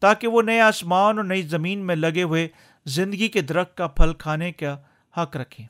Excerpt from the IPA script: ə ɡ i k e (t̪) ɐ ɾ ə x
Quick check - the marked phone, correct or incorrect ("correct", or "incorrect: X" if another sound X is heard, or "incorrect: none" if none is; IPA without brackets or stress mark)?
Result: incorrect: d̪